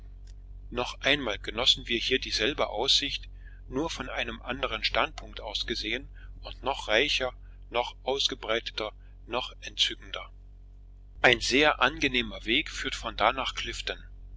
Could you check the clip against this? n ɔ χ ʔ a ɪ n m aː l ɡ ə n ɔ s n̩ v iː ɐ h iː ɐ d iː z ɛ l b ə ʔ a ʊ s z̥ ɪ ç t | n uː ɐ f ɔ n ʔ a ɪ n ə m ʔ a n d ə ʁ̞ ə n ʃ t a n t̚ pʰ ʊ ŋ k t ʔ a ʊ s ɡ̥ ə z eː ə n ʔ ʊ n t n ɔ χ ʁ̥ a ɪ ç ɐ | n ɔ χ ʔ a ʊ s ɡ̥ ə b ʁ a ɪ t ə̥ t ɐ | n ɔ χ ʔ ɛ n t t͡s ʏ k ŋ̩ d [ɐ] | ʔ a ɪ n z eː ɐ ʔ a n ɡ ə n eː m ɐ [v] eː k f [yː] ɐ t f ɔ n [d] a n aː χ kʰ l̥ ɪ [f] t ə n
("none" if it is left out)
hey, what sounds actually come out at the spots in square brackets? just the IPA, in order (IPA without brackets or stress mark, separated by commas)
ɐ, v, yː, d, f